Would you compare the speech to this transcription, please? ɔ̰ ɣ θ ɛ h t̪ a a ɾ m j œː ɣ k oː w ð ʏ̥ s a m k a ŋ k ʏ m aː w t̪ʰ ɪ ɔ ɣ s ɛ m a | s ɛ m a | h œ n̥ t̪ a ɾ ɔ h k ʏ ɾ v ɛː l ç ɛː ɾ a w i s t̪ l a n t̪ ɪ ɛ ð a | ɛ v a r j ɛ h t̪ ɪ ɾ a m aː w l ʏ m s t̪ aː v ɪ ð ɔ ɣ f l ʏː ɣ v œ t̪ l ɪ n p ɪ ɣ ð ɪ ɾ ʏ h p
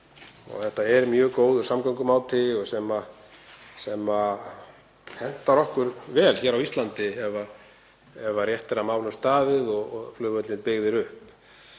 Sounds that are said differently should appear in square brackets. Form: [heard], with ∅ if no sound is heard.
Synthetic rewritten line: ɔ̰ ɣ θ ɛ h t̪ a [ɛ] ɾ m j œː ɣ k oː w ð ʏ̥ s a m k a ŋ k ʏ m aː w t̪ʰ ɪ ɔ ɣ s ɛ m a | s ɛ m a | h [ɛ] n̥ t̪ a ɾ ɔ h k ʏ ɾ v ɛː l ç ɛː ɾ a w i s t̪ l a n t̪ ɪ ɛ [v] a | ɛ v a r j ɛ h t̪ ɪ ɾ a m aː w l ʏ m s t̪ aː [ð] ɪ ð ɔ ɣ f l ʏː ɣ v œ t̪ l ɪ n p ɪ ɣ ð ɪ ɾ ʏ h p